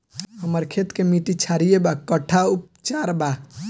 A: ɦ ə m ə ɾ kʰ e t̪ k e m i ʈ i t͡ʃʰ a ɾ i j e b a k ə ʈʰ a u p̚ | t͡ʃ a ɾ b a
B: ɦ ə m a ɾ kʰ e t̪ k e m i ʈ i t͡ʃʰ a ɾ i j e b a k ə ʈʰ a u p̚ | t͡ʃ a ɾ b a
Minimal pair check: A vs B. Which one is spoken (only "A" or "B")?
A